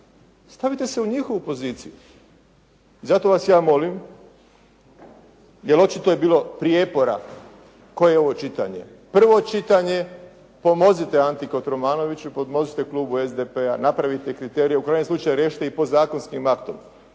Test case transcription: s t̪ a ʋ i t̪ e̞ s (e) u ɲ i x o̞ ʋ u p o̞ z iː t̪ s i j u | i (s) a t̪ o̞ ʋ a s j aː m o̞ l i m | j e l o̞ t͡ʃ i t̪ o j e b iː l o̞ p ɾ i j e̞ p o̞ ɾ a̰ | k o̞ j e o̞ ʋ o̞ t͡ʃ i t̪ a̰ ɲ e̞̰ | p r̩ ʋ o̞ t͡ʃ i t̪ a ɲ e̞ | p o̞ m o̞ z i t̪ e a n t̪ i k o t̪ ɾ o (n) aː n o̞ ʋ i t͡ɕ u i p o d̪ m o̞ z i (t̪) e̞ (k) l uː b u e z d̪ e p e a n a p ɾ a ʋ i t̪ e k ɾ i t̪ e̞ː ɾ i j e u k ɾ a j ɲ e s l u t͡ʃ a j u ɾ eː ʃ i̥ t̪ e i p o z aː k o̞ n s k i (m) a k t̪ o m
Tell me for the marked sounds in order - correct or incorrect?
correct, incorrect, incorrect, correct, correct, correct

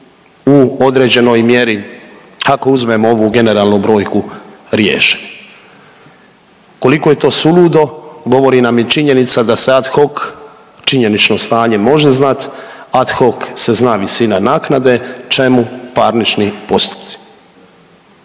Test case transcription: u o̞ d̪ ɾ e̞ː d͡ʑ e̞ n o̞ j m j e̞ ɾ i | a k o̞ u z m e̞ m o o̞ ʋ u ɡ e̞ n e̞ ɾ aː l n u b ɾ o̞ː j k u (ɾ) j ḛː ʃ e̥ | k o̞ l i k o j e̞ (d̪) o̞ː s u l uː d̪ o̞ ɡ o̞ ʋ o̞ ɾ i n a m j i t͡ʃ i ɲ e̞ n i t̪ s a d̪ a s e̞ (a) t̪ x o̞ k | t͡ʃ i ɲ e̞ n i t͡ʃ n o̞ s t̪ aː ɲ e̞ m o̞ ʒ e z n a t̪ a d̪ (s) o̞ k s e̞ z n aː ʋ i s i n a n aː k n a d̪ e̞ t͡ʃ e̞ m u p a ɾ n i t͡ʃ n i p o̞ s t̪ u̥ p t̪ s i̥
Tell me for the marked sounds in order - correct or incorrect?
correct, incorrect, correct, incorrect

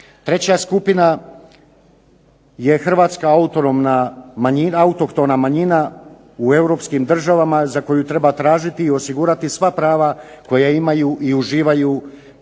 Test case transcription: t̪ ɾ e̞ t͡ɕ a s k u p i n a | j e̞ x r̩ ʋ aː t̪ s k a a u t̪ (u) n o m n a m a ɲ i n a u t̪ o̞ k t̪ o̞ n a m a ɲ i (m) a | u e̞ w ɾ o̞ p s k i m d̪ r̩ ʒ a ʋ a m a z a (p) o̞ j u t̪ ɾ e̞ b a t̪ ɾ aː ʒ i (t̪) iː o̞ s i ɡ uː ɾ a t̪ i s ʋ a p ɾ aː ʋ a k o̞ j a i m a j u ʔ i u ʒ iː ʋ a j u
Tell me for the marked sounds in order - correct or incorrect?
incorrect, incorrect, incorrect, correct

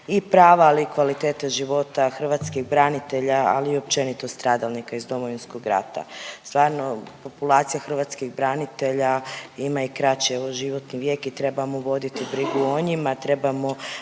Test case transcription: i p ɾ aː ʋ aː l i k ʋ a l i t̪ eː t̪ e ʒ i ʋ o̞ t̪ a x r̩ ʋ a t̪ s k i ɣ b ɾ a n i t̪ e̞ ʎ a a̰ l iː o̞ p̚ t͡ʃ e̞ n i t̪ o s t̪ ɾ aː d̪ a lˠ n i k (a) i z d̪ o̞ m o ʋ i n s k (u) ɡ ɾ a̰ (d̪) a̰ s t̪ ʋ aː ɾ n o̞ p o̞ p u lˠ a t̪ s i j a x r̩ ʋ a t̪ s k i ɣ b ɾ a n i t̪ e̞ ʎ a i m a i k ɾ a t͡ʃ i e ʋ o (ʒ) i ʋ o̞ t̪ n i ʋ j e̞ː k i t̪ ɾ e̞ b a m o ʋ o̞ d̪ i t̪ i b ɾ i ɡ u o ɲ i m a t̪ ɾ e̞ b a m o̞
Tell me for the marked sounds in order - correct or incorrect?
correct, incorrect, incorrect, correct

